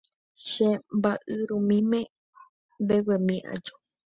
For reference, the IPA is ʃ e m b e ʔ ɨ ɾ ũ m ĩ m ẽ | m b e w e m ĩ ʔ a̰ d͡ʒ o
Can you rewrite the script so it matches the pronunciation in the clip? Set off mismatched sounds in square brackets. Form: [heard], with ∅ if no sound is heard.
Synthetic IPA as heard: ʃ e m b [a] ʔ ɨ ɾ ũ m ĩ m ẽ | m b e w e m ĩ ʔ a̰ d͡ʒ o